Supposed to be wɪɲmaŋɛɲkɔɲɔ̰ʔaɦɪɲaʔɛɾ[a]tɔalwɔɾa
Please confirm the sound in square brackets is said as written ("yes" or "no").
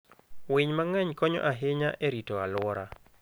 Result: no